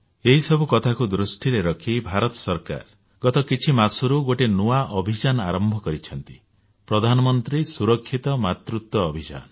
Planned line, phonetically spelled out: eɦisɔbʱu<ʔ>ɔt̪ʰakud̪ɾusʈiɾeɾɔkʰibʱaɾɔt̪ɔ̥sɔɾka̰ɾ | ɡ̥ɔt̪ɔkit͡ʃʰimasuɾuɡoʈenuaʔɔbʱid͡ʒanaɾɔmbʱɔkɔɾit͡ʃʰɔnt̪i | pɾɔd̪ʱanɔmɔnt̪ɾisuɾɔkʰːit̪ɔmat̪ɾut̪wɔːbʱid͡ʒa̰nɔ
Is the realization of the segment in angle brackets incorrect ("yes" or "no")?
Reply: yes